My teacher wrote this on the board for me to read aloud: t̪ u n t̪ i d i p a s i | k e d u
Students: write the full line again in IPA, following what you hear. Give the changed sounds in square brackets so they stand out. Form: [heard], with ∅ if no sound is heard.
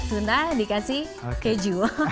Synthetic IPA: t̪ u n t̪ [a] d i [k] a s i | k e [d͡ʒ] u